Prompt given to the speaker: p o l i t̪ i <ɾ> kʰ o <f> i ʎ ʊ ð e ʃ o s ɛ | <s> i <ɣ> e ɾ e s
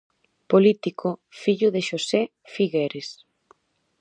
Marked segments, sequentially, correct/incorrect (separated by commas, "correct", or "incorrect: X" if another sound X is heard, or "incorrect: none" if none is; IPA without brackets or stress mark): incorrect: none, correct, incorrect: f, correct